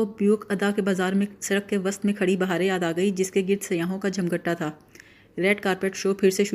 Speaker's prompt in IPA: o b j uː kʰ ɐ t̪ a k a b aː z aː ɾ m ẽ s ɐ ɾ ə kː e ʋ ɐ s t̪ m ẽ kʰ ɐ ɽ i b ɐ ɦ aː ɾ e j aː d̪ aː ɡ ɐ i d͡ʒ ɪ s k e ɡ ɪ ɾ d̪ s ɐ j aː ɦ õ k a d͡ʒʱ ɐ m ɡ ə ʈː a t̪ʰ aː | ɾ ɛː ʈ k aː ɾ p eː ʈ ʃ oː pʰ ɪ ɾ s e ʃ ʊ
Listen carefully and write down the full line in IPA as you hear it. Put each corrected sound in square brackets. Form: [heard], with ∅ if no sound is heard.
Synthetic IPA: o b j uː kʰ ɐ [d̪] a k [e] b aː z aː ɾ m ẽ s ɐ ɾ ə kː e ʋ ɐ s t̪ m ẽ kʰ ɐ ɽ i b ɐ ɦ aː ɾ e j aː d̪ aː ɡ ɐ i d͡ʒ ɪ s k e ɡ ɪ ɾ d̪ s ɐ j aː ɦ õ k a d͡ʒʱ ɐ m ɡ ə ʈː a t̪ʰ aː | ɾ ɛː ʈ k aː ɾ p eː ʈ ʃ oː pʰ ɪ ɾ s e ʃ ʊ